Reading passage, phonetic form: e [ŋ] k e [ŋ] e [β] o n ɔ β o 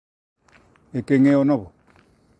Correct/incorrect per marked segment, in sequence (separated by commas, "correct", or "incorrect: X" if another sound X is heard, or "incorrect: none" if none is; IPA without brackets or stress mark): incorrect: none, correct, incorrect: none